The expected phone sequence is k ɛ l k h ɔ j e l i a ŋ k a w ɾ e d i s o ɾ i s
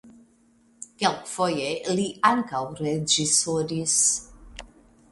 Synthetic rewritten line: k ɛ l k f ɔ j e l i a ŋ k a w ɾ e d͡ʒ i s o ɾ i s